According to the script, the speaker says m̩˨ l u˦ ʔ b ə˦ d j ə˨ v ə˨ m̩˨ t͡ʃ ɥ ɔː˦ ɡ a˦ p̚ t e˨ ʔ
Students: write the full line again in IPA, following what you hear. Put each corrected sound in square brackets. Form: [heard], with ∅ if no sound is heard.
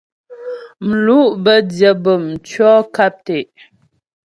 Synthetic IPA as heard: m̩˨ l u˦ ʔ b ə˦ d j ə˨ [b] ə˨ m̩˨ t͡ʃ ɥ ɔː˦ [k] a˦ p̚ t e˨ ʔ